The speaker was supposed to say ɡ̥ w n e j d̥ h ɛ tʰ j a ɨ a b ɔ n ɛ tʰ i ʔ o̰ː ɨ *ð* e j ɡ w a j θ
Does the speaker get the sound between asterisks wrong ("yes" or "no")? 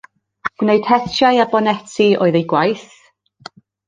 no